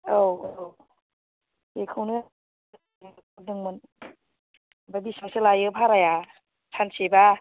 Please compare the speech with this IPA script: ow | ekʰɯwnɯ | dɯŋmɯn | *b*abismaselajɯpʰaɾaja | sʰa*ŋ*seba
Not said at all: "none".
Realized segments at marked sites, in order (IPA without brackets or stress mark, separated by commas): b, n